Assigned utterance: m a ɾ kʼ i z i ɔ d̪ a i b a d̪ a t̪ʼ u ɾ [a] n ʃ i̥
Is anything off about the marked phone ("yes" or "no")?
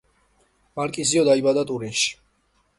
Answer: yes